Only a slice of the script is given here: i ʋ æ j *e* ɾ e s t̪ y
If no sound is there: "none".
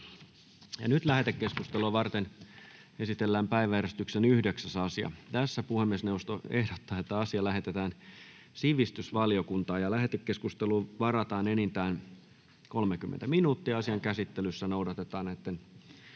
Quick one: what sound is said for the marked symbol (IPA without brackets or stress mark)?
æ